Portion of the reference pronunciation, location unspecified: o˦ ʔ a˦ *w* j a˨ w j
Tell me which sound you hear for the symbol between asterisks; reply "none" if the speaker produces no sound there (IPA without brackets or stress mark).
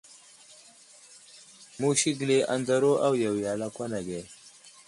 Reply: w